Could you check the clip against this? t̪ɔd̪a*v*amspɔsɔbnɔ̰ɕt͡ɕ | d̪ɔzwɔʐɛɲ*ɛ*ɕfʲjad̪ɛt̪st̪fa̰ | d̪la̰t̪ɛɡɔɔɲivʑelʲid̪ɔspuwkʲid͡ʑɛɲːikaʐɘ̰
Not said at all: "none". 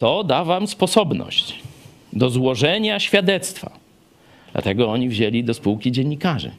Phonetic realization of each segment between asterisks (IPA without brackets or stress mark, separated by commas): v, a